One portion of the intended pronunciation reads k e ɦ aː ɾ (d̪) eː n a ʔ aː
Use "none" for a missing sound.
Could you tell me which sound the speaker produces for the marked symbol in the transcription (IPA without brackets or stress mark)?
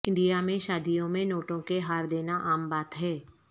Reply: d̪